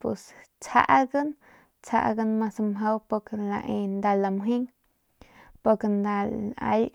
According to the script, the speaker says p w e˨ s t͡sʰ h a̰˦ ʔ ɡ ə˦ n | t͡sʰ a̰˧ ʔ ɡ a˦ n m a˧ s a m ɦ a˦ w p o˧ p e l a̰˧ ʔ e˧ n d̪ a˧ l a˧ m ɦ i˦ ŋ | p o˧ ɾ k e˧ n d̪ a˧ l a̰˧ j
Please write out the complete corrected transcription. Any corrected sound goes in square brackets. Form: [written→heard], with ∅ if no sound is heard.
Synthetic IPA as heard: p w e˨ s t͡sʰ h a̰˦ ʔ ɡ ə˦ n | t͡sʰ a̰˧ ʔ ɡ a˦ n m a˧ s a m ɦ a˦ w p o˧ [p→k] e l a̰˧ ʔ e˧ n d̪ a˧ l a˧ m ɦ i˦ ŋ | p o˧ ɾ k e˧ n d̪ a˧ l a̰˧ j